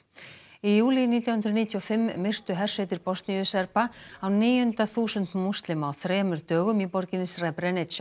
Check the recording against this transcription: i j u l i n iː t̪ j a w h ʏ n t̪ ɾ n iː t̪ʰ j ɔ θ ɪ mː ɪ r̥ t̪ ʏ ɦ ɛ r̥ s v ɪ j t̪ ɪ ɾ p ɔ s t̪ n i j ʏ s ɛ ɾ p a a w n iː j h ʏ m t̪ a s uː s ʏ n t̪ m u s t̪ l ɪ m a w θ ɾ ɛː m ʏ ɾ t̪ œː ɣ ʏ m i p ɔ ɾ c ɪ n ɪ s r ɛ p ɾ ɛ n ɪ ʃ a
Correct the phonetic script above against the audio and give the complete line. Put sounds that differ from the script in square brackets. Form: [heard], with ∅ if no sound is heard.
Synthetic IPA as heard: i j [uː] l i n iː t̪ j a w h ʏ n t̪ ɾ n iː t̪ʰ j ɔ [f] ɪ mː ɪ r̥ t̪ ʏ ɦ ɛ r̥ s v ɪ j t̪ ɪ ɾ p ɔ s t̪ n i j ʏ s ɛ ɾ p a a w n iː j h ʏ [n] t̪ a [θ] uː s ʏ n t̪ m u s t̪ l ɪ m a w θ ɾ ɛː m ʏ ɾ t̪ œː ɣ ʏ m i p ɔ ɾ c ɪ n ɪ s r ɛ p ɾ ɛ n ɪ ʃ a